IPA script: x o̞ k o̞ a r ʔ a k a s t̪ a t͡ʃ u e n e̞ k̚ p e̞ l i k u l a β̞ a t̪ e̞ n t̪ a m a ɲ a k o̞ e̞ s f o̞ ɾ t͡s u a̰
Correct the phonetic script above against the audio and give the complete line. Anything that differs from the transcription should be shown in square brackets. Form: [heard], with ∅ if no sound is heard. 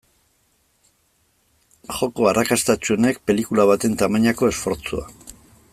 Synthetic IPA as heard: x o̞ k o̞ a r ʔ a k a s t̪ a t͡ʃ u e n e̞ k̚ p e̞ l i k u l a β̞ a t̪ e̞ n t̪ a m a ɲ a k o̞ e̞ s f o̞ ɾ t͡s u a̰